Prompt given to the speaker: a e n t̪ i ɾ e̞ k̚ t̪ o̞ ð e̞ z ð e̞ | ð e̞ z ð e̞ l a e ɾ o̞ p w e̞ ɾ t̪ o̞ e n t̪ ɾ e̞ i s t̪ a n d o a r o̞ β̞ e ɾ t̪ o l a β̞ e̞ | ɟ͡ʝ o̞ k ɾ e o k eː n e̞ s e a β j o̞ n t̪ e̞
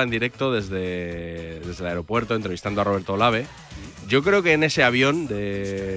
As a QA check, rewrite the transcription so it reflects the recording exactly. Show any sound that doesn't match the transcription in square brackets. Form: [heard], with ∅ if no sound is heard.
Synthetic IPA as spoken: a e n [d̪] i ɾ e̞ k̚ t̪ o̞ ð e̞ z ð e̞ | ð e̞ z ð e̞ l a e ɾ o̞ p w e̞ ɾ t̪ o̞ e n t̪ ɾ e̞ i s t̪ a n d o a r o̞ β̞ e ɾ t̪ o l a β̞ e̞ | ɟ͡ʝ o̞ k ɾ e o k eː n e̞ s e a β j o̞ n [d̪] e̞